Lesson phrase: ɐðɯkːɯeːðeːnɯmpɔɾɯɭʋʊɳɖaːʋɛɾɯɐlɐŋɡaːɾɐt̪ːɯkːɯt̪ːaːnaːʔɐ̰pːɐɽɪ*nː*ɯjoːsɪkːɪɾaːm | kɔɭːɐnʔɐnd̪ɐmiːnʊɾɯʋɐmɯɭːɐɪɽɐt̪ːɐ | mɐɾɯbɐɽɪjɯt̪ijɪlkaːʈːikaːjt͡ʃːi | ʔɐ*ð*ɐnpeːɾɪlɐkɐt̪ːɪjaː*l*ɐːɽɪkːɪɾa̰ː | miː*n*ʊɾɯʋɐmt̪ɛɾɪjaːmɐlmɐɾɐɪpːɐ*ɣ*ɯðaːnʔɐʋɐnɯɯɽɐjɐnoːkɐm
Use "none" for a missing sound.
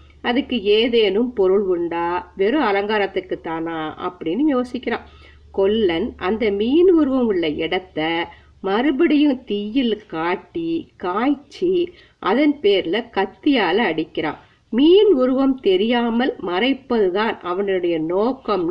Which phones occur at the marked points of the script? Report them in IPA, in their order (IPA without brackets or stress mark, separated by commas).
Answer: nː, ð, l, n, ð